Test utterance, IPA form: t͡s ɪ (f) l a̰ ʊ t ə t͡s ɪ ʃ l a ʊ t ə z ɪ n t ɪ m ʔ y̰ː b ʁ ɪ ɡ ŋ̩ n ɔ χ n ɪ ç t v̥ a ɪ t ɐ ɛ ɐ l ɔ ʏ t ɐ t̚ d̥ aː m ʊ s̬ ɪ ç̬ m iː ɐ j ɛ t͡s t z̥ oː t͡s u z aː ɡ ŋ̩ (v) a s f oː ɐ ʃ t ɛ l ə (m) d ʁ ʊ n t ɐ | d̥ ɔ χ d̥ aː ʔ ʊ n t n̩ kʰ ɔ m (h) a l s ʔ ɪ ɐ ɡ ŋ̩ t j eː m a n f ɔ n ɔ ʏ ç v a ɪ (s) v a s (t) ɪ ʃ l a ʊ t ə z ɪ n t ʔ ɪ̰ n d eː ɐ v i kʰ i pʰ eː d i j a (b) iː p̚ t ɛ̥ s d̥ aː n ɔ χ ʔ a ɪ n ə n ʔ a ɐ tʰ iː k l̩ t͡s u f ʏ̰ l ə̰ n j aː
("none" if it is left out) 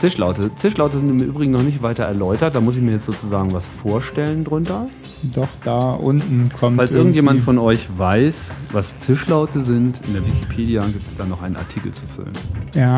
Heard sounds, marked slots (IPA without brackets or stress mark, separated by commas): ʃ, v, n, f, s, t͡s, ɡ